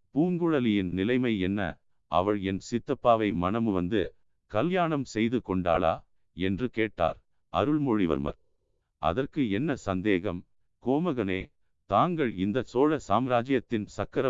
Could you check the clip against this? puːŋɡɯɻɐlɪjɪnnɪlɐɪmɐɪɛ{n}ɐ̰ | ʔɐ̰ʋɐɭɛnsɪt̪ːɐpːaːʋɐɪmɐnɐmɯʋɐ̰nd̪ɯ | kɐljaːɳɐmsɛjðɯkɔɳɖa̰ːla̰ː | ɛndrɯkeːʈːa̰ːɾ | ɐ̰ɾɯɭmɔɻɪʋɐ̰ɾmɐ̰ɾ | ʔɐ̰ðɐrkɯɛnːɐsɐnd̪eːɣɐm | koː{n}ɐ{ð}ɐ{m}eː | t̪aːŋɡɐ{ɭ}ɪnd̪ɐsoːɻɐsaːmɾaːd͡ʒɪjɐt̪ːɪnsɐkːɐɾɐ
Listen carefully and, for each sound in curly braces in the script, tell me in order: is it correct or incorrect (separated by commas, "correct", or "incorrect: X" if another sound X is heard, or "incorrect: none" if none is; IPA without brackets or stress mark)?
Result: incorrect: nː, incorrect: m, incorrect: ɣ, incorrect: n, correct